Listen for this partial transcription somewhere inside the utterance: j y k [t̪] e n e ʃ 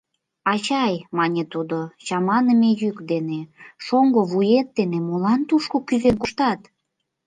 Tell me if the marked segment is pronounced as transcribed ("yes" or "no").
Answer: no